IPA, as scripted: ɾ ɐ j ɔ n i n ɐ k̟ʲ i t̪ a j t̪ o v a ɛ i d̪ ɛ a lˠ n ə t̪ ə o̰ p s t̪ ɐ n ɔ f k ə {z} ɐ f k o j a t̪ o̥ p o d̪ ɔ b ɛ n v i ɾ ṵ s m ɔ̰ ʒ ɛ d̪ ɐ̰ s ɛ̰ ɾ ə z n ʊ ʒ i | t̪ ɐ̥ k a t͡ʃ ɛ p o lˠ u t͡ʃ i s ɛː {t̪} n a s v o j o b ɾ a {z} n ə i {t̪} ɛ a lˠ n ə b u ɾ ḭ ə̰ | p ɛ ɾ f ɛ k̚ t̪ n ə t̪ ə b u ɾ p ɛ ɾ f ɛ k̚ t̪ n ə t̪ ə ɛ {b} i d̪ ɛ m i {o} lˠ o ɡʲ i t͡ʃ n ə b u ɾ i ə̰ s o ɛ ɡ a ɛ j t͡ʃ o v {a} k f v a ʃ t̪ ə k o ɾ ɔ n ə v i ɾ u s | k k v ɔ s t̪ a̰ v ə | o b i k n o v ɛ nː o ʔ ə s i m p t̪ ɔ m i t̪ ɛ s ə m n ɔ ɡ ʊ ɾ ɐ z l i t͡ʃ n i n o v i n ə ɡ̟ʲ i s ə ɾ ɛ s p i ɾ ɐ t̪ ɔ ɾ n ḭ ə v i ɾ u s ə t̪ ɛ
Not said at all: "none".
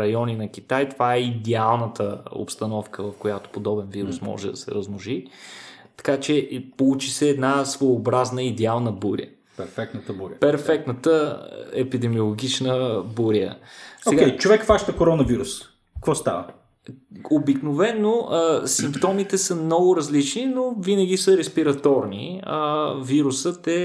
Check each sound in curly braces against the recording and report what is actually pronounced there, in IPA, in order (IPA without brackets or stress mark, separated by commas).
v, d̪, z, d̪, p, o, ɛ